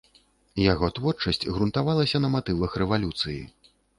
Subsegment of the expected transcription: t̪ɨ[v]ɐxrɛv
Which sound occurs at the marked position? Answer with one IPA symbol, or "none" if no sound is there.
v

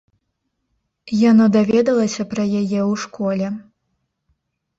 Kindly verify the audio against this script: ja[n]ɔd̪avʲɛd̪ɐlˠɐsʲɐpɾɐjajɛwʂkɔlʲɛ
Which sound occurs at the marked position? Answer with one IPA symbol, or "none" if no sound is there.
n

